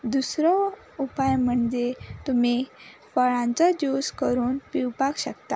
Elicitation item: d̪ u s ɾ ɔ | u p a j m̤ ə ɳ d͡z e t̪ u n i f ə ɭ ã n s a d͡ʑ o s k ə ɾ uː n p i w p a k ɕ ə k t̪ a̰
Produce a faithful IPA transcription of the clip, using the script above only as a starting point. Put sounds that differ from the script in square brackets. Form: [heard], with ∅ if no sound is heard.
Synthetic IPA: d̪ u s ɾ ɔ | u p a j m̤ ə ɳ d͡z e t̪ u [m] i f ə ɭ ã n [t͡s] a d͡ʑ o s k ə ɾ uː n p i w p a k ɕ ə k t̪ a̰